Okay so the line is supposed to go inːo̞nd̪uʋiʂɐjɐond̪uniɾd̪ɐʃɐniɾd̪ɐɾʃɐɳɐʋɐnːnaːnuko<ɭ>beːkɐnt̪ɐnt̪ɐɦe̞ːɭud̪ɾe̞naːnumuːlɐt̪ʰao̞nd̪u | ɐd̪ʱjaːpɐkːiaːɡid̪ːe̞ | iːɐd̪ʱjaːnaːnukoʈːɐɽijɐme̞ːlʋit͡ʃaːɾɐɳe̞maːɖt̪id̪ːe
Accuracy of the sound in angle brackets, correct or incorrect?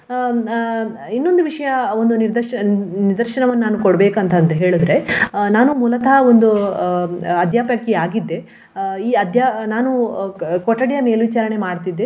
incorrect